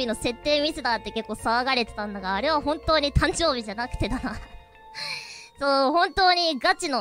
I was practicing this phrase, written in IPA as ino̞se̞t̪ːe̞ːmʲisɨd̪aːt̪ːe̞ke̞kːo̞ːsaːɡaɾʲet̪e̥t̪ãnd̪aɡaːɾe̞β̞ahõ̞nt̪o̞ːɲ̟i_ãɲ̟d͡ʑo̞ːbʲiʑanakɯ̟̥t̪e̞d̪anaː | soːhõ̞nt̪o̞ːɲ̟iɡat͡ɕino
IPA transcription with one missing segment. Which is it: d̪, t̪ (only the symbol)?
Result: t̪